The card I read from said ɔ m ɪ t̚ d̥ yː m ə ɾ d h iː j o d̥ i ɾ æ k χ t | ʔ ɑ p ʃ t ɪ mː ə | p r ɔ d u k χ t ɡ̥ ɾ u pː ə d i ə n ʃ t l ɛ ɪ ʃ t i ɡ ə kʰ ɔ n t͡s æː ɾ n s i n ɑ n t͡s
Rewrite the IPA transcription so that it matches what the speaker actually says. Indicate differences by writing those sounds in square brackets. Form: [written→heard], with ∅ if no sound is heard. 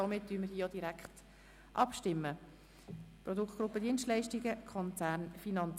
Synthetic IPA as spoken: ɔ m ɪ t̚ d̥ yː m ə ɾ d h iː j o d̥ i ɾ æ k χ t | ʔ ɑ p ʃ t ɪ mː ə | p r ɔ d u k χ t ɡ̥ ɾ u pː ə d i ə n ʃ t l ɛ ɪ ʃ t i ɡ ə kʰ ɔ n t͡s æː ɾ n [s→f] i n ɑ n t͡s